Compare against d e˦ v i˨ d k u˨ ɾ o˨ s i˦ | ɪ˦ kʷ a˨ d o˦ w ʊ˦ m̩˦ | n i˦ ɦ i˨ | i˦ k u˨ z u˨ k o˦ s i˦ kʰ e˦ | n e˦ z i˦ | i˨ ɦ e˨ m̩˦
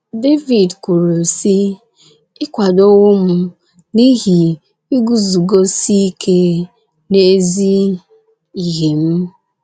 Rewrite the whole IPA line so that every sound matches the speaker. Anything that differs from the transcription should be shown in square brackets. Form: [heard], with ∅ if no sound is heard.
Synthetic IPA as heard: d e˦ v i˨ d k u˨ ɾ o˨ s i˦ | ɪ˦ kʷ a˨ d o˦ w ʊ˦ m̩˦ | n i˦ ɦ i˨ | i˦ [ɡ] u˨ z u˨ [ɡ] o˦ s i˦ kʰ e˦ | n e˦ z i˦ | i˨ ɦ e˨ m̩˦